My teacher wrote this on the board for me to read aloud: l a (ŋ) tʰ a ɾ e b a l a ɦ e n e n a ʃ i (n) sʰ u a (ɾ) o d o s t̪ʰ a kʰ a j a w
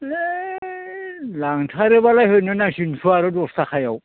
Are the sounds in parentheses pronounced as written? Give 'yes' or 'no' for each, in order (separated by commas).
yes, yes, yes